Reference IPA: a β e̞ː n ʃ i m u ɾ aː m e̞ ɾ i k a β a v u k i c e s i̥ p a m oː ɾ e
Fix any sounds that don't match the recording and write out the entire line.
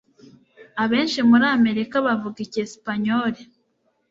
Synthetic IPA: a β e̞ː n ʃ i m u ɾ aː m e̞ ɾ i k a β a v u ɡ i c e s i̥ p a ɲ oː ɾ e